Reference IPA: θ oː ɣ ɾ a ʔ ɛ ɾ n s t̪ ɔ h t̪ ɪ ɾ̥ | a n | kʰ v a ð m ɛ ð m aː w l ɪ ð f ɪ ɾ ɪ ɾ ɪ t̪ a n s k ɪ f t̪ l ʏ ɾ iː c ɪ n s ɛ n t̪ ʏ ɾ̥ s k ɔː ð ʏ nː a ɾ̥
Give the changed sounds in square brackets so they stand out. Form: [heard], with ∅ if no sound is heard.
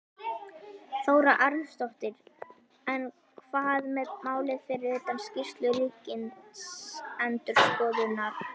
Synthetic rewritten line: θ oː [w] ɾ a ʔ [a] ɾ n s t̪ ɔ h t̪ ɪ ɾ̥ | [ɛ] n | kʰ v a ð m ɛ ð m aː w l ɪ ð f ɪ ɾ ɪ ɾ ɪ t̪ a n s [c] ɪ [s] t̪ l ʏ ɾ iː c ɪ n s ɛ n t̪ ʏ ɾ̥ s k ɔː ð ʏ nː a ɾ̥